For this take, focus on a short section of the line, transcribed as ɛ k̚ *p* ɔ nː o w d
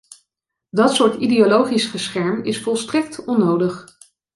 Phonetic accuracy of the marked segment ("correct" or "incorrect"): incorrect